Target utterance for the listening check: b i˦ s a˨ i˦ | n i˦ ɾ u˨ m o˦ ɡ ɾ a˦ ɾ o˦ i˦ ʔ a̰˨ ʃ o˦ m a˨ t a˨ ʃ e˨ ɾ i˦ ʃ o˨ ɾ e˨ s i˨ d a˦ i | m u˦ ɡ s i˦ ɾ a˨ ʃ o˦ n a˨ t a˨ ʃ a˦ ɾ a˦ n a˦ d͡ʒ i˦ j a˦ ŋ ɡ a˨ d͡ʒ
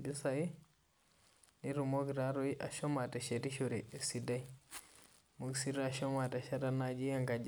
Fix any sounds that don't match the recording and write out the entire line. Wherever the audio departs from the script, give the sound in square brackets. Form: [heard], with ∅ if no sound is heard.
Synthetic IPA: b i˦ s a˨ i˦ | n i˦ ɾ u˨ m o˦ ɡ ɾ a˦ ɾ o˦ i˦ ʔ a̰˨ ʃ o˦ m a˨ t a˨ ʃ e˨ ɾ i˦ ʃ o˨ ɾ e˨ s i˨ d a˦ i | m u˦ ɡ s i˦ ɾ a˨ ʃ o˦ [m] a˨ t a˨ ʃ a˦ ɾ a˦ n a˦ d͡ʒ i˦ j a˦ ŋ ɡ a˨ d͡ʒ

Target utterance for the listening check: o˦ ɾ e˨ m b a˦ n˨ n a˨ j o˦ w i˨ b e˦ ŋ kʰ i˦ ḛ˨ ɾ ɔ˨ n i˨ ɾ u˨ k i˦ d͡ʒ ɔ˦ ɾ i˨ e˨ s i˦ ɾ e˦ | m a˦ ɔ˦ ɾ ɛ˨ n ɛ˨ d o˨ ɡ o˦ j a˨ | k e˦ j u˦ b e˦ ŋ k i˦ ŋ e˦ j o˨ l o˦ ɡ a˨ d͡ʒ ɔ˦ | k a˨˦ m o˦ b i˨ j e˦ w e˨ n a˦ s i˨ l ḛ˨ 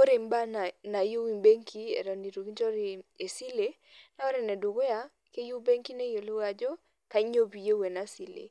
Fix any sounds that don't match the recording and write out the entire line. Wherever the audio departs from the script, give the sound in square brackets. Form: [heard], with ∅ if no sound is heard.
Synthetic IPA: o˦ ɾ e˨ m b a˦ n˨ n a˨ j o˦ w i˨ b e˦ ŋ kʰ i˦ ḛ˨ ɾ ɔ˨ n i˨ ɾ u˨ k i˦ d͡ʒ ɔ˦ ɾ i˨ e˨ s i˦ [l] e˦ | [n] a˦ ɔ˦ ɾ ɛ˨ n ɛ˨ d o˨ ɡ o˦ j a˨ | k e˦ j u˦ b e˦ ŋ k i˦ [n] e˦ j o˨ l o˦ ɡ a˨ d͡ʒ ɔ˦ | k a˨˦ [ɲ] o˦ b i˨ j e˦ w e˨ n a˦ s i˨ l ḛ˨

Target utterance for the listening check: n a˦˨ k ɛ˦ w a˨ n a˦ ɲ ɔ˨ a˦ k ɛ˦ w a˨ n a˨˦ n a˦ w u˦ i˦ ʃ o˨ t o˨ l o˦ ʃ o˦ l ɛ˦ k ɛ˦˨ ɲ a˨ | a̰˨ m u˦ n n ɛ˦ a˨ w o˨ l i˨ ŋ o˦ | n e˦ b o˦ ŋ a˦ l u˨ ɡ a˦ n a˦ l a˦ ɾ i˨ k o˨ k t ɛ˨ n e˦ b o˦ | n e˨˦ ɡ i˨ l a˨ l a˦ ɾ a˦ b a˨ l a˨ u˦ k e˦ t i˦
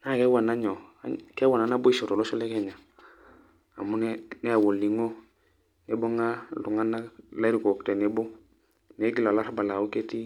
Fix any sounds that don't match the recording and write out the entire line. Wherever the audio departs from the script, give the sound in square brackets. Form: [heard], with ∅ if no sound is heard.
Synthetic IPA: n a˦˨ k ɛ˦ w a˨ n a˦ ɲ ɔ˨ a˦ k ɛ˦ w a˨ n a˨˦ n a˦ [b] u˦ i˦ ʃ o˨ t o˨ l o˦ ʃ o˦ l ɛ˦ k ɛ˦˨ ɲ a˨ | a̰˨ m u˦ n n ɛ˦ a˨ w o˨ l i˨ ŋ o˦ | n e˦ b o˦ ŋ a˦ l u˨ [ŋ] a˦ n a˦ l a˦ ɾ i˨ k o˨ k t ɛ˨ n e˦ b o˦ | n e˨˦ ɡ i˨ l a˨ l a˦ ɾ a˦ b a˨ l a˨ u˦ k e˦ t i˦

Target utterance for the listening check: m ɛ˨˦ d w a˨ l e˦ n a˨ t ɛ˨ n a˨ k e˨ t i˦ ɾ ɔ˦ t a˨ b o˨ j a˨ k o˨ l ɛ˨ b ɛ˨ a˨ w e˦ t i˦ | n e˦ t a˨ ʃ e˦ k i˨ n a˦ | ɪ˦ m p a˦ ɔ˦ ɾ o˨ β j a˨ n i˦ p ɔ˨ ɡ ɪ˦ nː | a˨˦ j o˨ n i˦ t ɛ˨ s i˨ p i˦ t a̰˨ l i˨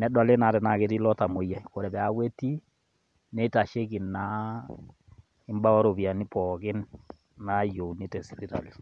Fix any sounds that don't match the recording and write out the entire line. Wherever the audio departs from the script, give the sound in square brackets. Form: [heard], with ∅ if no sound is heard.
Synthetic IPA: [n] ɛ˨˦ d w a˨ l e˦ n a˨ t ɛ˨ n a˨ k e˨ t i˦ [l] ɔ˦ t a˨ [m] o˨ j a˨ k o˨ [ɾ] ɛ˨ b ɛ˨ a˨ w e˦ t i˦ | n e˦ t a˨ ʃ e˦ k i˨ n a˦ | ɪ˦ m [b] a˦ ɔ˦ ɾ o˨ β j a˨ n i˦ p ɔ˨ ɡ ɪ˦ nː | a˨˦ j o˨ n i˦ t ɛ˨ s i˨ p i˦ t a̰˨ l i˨

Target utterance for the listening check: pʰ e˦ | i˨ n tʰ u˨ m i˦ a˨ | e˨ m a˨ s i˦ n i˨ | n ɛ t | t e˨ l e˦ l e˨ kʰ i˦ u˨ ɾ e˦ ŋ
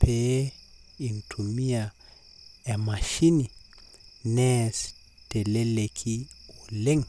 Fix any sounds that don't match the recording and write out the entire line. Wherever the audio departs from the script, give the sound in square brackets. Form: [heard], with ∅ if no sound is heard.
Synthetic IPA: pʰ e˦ | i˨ n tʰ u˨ m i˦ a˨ | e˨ m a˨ [ʃ] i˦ n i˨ | n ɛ [s] | t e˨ l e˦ l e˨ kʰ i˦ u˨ [l] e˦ ŋ

